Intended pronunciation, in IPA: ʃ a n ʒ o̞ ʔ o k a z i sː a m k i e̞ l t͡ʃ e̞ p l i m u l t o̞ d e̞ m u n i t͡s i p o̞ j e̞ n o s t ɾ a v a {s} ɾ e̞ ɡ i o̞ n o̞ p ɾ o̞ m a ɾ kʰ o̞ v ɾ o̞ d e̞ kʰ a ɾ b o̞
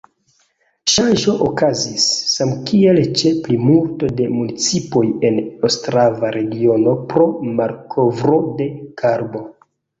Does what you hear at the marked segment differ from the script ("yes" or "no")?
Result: yes